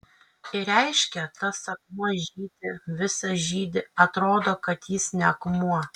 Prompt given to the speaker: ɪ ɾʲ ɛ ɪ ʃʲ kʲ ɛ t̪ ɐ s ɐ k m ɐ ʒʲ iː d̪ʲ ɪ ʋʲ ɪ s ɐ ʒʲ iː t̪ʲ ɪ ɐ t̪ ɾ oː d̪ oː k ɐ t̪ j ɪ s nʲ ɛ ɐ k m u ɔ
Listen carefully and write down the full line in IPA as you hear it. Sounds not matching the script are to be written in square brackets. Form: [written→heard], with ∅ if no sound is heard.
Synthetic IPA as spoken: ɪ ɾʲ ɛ ɪ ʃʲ kʲ ɛ t̪ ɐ s ɐ k m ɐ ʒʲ iː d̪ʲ ɪ ʋʲ ɪ s ɐ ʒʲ iː [t̪ʲ→d̪ʲ] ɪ ɐ t̪ ɾ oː d̪ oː k ɐ t̪ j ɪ s nʲ ɛ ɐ k m u ɔ